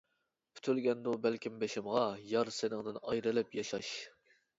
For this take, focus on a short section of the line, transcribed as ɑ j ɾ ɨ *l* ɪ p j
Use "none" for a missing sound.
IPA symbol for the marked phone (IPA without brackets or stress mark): l